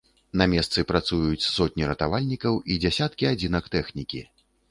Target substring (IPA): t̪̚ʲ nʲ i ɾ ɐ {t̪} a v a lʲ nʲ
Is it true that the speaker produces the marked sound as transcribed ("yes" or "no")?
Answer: yes